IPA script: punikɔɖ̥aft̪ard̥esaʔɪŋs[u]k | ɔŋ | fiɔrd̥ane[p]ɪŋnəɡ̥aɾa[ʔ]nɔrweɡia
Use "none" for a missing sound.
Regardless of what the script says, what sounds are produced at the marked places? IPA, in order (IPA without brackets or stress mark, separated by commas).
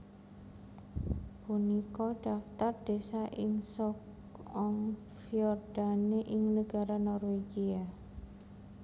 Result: ɔ, ʔ, none